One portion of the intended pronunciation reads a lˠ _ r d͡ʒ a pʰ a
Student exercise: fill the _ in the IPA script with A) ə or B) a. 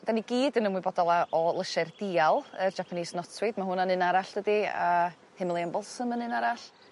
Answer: A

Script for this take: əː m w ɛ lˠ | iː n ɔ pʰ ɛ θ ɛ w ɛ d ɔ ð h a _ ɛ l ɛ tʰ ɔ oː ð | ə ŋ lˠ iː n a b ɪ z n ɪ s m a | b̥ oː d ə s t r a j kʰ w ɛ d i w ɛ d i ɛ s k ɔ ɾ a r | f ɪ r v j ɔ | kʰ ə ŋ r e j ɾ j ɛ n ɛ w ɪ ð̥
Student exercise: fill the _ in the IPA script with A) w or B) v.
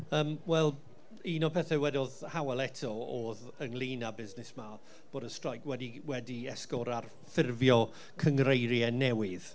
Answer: A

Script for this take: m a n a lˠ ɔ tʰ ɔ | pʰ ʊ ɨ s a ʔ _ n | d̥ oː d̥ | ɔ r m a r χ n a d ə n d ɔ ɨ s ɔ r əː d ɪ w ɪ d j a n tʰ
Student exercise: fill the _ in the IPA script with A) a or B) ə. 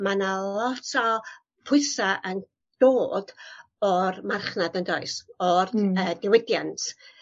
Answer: B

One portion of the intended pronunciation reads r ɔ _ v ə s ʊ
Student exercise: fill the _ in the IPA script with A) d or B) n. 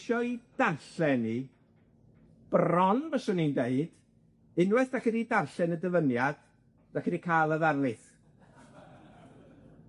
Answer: B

